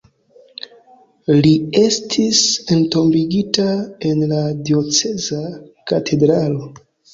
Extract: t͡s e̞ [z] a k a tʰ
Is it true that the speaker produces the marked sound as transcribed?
yes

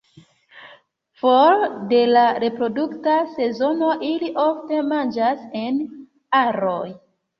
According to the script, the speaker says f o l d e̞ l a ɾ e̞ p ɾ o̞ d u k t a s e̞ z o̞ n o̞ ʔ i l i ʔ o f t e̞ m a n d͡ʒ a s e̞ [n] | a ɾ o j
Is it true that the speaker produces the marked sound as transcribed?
yes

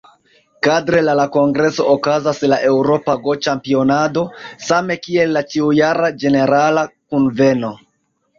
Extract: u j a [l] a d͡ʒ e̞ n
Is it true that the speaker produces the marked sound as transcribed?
no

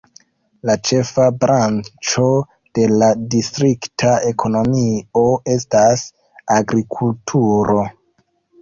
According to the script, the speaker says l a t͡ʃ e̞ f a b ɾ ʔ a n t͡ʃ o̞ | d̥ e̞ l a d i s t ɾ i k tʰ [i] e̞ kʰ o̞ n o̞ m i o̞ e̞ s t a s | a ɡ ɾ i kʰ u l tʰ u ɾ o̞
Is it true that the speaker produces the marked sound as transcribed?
no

